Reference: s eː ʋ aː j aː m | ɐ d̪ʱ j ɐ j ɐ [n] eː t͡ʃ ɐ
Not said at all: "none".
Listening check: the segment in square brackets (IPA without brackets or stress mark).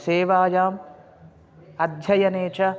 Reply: n